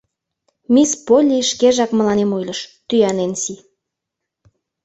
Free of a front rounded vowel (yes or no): no